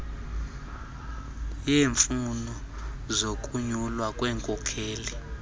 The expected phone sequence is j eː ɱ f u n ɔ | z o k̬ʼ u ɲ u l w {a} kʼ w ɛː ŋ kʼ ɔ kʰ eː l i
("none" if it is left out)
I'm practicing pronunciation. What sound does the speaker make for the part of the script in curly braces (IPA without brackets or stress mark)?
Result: a